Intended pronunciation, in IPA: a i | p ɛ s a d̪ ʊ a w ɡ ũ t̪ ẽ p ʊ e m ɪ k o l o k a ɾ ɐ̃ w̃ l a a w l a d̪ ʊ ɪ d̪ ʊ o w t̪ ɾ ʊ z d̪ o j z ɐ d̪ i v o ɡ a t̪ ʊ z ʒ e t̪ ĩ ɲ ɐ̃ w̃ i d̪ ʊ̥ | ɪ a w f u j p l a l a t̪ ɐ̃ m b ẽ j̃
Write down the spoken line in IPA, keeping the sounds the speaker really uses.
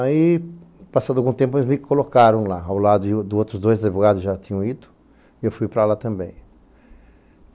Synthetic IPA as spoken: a i | p a s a d̪ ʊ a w ɡ ũ t̪ ẽ p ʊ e m ɪ k o l o k a ɾ ɐ̃ w̃ l a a w l a d̪ ʊ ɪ d̪ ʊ o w t̪ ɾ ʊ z d̪ o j z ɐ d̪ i v o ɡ a d̪ ʊ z ʒ a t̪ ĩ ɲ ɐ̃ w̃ i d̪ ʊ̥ | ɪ e w f u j p ɾ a l a t̪ ɐ̃ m b ẽ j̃

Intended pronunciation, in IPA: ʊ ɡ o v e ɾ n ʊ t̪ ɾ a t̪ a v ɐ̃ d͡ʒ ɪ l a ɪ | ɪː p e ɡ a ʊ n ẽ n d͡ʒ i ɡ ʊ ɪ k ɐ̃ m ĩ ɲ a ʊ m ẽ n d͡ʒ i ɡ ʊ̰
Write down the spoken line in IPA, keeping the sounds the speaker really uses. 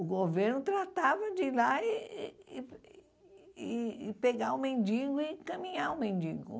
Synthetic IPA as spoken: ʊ ɡ o v e ɾ n ʊ t̪ ɾ a t̪ a v ɐ d͡ʒ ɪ l a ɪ | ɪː p e ɡ a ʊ m ẽ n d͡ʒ i ɡ ʊ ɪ k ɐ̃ m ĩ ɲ a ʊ m ẽ n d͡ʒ i ɡ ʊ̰

